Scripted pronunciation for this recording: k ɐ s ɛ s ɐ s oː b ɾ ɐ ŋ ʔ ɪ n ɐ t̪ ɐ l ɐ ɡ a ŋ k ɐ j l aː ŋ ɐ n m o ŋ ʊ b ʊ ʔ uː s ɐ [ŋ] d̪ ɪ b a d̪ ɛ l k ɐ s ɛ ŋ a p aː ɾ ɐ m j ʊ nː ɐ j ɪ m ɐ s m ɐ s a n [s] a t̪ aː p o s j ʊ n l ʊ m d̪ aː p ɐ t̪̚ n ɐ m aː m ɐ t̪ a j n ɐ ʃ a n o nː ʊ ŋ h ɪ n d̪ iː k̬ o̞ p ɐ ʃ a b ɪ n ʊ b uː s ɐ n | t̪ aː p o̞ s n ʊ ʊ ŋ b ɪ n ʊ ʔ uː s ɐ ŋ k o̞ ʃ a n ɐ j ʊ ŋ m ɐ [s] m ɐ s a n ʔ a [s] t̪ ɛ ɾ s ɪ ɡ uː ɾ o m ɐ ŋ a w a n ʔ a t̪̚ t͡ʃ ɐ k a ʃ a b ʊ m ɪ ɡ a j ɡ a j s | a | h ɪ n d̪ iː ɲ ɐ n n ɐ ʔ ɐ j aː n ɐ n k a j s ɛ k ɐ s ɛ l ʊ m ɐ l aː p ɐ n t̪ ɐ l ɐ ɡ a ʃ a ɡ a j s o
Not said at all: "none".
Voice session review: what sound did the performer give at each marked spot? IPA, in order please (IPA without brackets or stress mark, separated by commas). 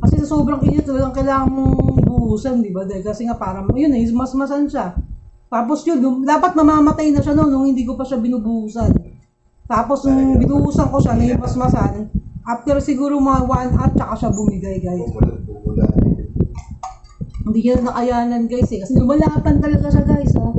n, ʃ, s, f